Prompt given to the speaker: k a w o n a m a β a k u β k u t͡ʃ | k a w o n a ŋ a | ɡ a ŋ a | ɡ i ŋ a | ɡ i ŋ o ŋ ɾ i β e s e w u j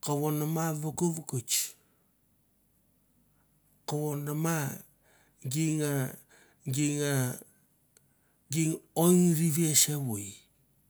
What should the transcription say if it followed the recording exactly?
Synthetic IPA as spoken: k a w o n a m a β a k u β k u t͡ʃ | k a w o n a m a | ɡ i ŋ a | ɡ i ŋ a | ɡ i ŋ o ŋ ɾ i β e s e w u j